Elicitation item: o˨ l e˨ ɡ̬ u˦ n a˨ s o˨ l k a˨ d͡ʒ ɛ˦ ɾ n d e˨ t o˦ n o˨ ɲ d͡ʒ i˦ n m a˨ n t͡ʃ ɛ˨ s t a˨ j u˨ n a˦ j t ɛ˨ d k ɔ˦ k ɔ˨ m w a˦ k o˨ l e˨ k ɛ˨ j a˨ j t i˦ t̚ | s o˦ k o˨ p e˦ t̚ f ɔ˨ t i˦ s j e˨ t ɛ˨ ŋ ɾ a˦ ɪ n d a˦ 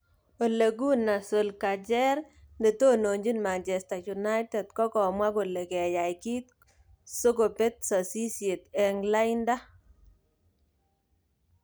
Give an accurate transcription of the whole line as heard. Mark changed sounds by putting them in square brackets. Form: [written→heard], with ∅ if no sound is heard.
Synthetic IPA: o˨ l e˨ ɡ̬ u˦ n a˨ s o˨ l k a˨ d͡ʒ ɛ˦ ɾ n d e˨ t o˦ n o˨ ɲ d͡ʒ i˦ n m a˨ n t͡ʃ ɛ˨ s t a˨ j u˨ n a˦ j t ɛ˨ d k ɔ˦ k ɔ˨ m w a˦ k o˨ l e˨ k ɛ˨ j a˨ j [t→k] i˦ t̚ | s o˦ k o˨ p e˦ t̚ [f→s] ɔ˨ [t→s] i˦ s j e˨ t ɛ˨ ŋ [ɾ→l] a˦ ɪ n d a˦